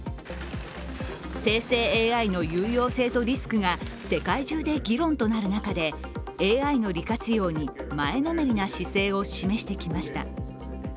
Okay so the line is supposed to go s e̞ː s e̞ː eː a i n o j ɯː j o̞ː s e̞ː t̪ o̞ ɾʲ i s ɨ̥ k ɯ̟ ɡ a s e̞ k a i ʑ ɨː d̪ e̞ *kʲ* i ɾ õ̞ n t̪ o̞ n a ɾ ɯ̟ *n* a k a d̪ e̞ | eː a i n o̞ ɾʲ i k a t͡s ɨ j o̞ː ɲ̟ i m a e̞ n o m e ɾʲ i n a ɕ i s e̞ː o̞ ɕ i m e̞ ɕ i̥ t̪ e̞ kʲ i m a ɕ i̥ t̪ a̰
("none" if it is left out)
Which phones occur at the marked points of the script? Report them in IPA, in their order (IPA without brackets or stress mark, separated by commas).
ɡʲ, n